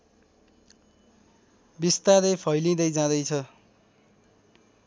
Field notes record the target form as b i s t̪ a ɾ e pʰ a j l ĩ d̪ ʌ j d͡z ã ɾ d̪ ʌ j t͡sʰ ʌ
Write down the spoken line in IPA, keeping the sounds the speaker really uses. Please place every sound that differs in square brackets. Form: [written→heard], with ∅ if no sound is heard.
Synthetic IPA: b i s t̪ a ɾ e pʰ [a→ʌ] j l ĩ d̪ ʌ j d͡z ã [ɾ→∅] d̪ ʌ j t͡sʰ ʌ